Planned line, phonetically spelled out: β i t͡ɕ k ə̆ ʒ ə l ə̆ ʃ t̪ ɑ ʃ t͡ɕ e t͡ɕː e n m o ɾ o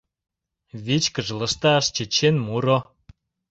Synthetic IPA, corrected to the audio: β i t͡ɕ k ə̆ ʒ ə l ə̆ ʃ t̪ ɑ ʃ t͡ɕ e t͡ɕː e n m u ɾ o